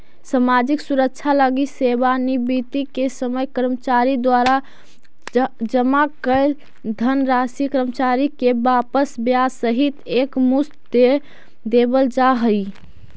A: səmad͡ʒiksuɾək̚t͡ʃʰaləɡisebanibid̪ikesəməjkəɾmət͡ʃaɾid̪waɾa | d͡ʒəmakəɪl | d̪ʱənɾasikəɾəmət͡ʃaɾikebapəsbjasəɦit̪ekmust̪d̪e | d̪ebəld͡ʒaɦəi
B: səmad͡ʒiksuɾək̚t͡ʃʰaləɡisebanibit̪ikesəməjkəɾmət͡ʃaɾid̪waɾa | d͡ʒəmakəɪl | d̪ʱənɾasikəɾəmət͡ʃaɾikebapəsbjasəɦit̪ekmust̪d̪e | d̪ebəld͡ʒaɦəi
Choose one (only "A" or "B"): B